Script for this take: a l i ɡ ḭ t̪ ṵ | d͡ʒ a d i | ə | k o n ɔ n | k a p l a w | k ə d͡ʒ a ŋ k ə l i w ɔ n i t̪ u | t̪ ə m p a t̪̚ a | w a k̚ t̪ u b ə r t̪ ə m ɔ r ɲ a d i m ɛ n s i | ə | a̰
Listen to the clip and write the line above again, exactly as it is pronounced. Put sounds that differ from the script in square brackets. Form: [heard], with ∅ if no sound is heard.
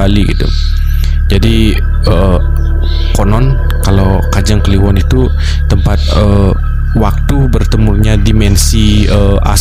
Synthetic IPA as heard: a l i ɡ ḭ t̪ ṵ | d͡ʒ a d i | ə | k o n ɔ n | k a [∅] l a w | k [a] d͡ʒ a ŋ k ə l i w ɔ n i t̪ u | t̪ ə m p a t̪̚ [ə] | w a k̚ t̪ u b ə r t̪ ə m [u] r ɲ a d i m ɛ n s i | ə | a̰